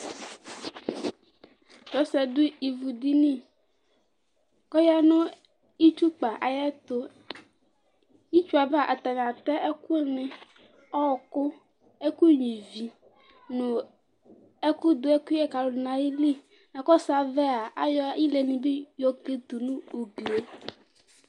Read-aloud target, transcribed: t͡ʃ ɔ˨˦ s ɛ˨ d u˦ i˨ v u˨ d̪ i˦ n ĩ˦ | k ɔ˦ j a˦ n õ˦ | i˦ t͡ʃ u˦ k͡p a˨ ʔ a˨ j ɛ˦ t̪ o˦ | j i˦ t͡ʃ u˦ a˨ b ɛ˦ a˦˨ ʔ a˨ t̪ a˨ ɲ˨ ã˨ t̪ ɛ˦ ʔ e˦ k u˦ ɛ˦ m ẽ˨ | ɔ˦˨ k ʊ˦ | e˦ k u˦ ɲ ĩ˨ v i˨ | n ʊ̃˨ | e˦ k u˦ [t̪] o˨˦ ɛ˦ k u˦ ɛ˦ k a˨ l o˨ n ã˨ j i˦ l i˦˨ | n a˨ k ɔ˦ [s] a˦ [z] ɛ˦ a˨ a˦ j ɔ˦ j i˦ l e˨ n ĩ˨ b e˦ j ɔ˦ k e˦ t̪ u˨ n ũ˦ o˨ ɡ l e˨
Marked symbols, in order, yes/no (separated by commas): no, yes, no